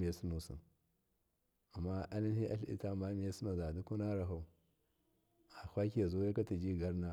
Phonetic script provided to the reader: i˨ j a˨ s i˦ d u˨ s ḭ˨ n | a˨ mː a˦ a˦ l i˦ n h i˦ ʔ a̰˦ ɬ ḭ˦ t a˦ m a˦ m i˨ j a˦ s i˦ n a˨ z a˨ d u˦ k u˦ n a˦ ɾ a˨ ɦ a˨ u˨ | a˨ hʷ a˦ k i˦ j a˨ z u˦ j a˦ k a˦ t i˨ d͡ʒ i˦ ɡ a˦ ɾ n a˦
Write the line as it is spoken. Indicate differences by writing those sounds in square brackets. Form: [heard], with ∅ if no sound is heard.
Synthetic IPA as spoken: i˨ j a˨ s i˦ [n] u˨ s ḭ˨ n | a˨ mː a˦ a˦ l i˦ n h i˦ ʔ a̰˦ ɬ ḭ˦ t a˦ m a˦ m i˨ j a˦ s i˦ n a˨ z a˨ d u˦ k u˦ n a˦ ɾ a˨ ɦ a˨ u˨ | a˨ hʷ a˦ k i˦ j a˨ z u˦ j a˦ k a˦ t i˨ d͡ʒ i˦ ɡ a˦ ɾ n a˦